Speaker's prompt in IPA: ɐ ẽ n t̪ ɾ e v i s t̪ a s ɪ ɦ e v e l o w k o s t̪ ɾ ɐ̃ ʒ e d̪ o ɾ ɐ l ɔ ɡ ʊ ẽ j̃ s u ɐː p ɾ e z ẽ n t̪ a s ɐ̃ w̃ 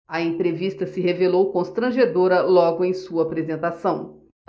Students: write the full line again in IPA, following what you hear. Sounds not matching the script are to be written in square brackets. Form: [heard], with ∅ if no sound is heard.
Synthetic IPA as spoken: ɐ ẽ n t̪ ɾ e v i s t̪ [ɐ] s ɪ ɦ e v e l o w k [õ] s t̪ ɾ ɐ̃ ʒ e d̪ o ɾ ɐ l ɔ ɡ ʊ ẽ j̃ s u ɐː p ɾ e z ẽ n t̪ a s ɐ̃ w̃